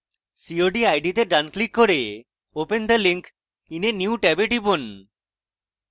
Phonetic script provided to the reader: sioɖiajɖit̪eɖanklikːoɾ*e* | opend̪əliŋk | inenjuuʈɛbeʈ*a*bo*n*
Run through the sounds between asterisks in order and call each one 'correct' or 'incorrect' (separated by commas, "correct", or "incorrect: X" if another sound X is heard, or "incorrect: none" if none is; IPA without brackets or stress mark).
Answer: correct, incorrect: i, correct